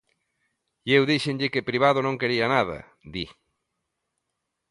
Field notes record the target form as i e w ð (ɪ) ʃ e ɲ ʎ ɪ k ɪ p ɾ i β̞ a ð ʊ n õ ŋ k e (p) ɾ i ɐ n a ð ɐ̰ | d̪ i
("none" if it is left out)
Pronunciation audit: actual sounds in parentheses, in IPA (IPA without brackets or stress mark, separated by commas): i, none